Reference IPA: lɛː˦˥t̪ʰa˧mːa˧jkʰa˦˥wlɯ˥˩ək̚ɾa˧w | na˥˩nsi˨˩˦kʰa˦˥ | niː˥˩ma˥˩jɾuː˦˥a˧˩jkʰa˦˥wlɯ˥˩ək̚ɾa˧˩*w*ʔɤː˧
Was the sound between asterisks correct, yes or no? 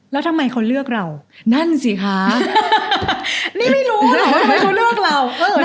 yes